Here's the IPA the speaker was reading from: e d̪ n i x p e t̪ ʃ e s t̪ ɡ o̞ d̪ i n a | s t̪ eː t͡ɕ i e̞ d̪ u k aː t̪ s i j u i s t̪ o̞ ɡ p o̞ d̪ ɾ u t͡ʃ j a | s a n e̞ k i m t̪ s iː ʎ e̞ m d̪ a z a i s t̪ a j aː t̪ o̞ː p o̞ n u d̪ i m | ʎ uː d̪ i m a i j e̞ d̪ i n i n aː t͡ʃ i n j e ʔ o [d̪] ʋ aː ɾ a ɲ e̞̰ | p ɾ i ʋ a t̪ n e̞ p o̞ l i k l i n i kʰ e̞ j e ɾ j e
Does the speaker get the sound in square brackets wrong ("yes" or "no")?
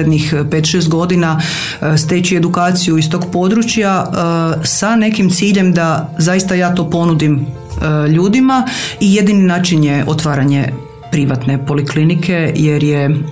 yes